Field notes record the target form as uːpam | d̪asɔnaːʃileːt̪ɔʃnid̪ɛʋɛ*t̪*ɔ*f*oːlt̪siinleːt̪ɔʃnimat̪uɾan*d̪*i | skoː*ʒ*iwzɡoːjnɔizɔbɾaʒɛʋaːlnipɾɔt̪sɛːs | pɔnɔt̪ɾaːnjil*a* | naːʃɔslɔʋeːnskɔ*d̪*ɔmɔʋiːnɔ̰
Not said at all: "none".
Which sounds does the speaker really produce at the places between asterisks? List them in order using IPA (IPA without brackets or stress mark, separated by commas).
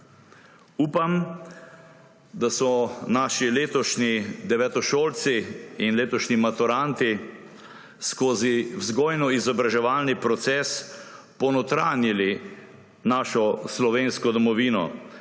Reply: t̪, ʃ, t̪, z, i, d̪